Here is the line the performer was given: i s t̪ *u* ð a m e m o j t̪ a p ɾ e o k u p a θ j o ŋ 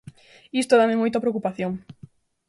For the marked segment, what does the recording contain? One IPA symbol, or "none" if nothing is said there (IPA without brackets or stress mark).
o